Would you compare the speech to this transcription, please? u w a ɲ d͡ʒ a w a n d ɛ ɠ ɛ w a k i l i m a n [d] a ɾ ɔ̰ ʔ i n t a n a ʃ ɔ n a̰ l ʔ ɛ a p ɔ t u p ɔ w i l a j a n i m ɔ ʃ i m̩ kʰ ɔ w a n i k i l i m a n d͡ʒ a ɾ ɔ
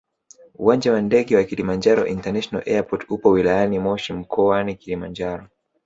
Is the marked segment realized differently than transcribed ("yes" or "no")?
yes